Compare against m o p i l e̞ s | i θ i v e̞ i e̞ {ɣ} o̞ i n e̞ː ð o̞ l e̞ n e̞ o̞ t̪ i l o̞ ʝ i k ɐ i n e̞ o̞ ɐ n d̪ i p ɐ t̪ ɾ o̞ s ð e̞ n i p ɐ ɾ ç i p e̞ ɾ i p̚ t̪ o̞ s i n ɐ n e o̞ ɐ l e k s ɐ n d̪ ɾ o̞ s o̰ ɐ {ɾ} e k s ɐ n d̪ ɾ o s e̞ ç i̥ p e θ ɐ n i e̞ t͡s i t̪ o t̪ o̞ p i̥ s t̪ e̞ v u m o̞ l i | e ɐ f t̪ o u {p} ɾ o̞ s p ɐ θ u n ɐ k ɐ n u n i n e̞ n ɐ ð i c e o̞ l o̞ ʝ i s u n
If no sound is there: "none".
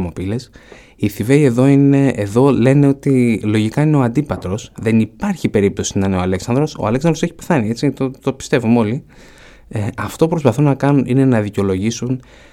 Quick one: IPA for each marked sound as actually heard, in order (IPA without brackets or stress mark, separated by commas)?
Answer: ð, l, p